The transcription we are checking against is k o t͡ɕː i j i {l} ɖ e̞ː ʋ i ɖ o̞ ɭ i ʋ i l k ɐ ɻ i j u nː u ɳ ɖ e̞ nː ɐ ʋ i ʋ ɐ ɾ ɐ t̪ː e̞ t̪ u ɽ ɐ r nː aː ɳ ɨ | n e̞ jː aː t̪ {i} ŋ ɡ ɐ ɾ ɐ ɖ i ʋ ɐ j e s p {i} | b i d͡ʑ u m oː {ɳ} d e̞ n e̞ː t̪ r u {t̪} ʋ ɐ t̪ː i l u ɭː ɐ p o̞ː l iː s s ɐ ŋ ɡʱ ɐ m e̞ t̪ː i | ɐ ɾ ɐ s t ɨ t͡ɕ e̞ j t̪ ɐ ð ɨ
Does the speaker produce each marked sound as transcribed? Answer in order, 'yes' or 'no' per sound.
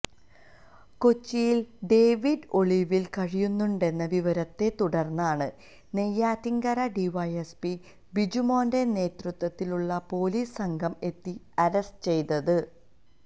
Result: yes, yes, yes, no, yes

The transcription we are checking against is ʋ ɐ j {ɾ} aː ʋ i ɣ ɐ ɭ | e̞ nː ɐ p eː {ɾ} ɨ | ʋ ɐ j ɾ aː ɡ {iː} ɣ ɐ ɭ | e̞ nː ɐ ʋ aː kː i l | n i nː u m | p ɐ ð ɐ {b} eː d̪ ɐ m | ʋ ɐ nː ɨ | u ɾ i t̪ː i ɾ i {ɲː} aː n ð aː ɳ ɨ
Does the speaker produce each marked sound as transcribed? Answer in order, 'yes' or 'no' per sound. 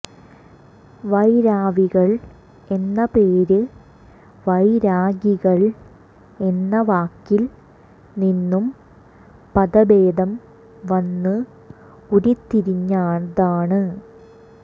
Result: yes, yes, no, yes, yes

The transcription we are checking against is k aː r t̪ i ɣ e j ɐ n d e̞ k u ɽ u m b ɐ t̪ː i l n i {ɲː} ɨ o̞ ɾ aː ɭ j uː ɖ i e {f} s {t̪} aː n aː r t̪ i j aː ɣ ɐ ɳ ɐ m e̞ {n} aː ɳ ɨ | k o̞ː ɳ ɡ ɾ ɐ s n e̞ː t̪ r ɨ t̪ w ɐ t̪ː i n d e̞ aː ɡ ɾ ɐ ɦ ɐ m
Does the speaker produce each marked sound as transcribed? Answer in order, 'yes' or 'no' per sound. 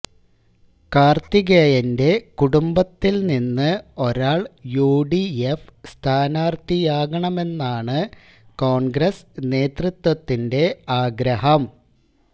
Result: no, yes, no, no

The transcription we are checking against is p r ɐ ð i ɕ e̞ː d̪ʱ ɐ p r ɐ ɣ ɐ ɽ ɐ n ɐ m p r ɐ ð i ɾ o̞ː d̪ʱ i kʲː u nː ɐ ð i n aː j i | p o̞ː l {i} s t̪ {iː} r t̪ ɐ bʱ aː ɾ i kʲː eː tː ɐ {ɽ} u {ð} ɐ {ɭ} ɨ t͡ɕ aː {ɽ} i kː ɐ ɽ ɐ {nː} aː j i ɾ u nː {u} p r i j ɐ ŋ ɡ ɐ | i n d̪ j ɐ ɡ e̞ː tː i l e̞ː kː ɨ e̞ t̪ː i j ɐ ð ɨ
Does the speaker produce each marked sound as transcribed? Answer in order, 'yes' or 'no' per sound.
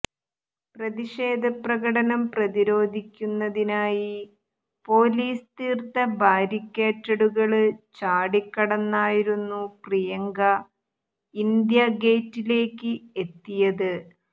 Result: no, yes, yes, no, yes, yes, yes, yes

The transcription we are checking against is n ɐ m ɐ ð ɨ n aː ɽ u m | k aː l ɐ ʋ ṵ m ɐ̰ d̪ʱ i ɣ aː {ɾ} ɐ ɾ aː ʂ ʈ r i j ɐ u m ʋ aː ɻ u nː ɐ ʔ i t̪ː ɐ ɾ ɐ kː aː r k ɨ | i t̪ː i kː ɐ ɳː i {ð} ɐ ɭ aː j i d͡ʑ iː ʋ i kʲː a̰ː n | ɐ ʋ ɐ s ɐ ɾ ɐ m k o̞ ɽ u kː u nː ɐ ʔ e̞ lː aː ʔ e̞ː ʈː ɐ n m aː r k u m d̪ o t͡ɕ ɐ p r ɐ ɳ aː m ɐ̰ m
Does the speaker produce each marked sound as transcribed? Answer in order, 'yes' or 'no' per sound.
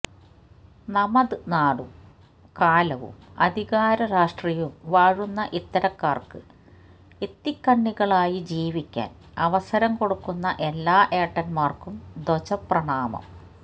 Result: yes, no

